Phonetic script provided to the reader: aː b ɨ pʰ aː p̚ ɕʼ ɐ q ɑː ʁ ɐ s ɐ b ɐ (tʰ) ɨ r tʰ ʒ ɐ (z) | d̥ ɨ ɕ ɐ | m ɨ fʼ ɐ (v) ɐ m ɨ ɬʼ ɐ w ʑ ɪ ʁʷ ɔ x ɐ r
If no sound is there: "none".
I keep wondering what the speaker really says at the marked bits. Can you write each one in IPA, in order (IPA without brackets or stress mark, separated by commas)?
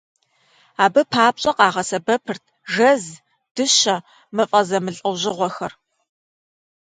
pʰ, z, z